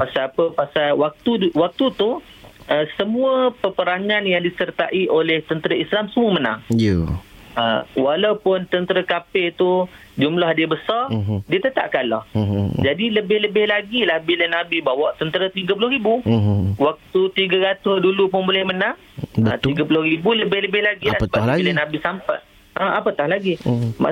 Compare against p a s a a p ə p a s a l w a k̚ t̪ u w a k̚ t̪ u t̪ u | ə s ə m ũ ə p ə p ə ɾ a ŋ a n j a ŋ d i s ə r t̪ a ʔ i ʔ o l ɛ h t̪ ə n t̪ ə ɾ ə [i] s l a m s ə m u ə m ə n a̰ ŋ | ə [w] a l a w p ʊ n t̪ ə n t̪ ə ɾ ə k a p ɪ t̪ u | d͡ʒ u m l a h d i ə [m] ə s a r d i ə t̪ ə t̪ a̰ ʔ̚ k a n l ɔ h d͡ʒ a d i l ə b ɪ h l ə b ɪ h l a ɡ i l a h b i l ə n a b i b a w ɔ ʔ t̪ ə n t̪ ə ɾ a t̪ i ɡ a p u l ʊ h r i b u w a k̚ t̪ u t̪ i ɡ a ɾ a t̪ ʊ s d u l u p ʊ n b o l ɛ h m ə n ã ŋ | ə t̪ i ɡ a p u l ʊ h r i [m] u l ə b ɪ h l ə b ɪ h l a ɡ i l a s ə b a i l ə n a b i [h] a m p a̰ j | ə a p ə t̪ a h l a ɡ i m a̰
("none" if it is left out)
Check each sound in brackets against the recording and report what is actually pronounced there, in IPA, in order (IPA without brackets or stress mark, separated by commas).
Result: i, w, b, b, s